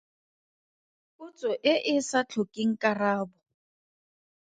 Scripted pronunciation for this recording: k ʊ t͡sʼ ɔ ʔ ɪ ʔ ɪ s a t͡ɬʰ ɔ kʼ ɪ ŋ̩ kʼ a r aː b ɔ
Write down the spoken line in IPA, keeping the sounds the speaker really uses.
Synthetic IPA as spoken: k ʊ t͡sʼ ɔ ʔ ɪ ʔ ɪ s a t͡ɬʰ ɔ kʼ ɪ ŋ̩ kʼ a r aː b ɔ